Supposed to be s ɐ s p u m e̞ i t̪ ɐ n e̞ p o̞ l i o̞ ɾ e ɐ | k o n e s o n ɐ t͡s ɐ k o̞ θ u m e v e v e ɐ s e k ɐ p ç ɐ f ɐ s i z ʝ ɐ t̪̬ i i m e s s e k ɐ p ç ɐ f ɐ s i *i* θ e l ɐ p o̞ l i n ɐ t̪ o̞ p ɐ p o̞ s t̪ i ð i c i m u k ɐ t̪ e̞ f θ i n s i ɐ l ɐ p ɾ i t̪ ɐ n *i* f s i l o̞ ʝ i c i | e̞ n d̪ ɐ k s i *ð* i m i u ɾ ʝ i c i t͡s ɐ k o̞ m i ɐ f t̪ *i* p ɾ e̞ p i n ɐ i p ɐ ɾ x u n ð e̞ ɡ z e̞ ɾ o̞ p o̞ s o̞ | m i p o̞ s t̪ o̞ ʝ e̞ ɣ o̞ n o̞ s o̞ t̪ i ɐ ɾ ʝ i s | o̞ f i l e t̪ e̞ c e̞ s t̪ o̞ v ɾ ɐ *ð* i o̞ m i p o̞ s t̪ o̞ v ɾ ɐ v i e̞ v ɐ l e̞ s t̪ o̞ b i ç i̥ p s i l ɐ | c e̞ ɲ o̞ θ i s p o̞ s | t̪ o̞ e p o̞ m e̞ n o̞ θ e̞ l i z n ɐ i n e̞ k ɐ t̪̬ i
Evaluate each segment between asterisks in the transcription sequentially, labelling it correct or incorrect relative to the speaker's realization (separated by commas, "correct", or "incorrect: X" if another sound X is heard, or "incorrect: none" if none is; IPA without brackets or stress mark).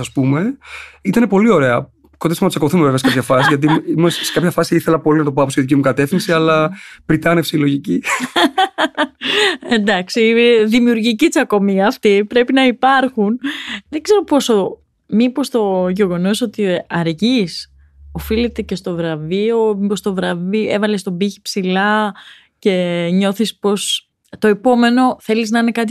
correct, incorrect: e, correct, correct, incorrect: v